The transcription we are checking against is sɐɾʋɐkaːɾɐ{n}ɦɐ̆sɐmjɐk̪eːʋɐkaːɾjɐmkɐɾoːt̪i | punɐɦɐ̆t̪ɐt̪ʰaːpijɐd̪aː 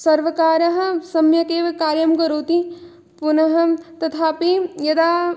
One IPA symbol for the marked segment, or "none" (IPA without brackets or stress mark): none